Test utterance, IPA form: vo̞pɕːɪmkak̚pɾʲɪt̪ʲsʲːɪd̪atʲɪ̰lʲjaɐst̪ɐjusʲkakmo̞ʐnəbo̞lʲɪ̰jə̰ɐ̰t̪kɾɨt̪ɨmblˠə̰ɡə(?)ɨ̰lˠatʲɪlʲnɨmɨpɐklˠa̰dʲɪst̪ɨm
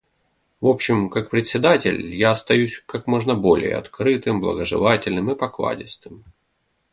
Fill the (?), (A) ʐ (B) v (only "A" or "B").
A